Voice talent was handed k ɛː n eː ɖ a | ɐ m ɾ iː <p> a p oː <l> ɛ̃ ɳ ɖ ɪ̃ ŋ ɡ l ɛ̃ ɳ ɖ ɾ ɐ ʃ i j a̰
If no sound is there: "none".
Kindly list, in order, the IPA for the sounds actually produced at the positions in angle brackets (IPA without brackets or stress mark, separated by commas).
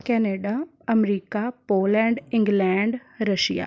k, l